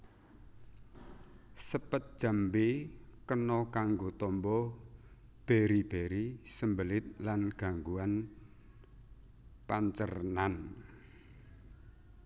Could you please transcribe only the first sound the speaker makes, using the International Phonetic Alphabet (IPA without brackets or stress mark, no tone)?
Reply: s